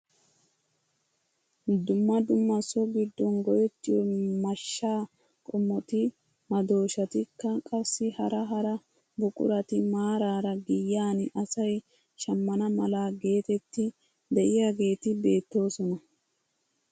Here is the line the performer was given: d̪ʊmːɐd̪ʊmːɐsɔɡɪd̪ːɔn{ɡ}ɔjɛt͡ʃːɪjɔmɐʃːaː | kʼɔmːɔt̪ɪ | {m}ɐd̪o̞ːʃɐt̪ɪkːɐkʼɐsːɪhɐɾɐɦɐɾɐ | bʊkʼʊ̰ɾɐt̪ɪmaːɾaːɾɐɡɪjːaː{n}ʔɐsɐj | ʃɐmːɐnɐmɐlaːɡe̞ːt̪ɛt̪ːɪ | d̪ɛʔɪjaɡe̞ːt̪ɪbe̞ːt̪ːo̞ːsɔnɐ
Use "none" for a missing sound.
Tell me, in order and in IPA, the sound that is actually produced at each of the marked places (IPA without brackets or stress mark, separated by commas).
ɡ, m, n